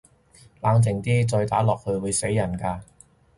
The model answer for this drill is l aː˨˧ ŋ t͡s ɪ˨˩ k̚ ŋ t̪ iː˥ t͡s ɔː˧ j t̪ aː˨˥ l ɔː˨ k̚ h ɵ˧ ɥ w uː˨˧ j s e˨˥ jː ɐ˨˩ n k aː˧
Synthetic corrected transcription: l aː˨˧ ŋ t͡s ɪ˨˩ ŋ t̪ iː˥ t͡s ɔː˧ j t̪ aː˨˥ l ɔː˨ k̚ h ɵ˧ ɥ w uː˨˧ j s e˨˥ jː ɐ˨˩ n k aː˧